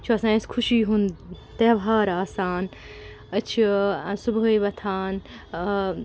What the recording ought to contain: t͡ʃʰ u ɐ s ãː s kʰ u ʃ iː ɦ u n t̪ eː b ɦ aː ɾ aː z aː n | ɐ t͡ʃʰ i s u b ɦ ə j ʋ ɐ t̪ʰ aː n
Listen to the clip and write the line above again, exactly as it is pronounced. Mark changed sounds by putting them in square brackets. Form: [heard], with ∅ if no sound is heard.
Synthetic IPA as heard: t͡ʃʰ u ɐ s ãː s kʰ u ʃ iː ɦ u n t̪ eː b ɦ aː ɾ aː [s] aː n | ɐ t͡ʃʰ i s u b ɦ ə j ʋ ɐ t̪ʰ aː n